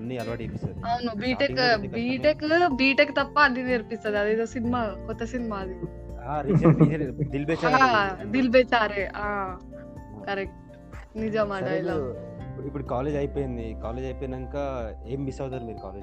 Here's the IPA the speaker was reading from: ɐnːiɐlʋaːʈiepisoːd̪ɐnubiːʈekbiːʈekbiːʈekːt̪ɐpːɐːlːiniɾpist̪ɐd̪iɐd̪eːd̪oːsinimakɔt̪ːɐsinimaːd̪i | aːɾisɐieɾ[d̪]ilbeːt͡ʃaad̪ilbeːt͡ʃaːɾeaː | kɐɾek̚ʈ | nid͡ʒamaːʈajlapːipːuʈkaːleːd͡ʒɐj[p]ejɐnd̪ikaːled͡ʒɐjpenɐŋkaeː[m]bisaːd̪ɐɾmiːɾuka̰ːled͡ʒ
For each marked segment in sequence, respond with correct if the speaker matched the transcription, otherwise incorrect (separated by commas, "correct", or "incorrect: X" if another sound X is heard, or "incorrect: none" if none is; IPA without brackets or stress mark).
correct, correct, correct